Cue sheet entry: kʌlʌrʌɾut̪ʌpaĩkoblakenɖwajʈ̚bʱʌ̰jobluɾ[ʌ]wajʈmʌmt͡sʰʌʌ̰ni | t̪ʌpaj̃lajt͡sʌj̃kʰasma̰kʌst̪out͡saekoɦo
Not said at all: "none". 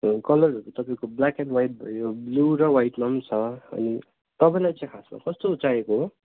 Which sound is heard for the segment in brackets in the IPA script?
ʌ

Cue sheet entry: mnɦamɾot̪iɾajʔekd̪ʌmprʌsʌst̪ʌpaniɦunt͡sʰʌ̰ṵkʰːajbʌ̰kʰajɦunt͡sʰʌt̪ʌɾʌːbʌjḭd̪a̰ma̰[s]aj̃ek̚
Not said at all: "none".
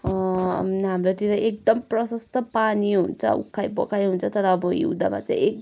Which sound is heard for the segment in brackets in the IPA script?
t͡s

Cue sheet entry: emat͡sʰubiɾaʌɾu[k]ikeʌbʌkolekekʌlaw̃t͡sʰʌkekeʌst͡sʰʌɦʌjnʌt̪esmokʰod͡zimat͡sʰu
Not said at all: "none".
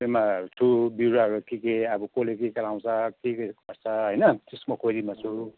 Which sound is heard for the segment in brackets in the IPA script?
k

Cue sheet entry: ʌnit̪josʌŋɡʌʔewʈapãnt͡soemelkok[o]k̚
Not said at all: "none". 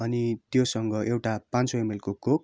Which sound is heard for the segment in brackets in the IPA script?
o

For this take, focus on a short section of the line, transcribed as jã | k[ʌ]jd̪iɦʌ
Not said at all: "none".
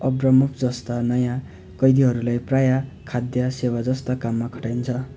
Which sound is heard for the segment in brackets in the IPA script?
ʌ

